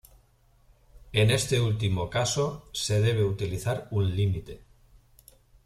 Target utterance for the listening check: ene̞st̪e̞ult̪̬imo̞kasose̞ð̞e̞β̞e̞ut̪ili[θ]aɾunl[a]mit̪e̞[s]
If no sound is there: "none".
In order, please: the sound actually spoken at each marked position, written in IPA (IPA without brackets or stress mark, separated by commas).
θ, i, none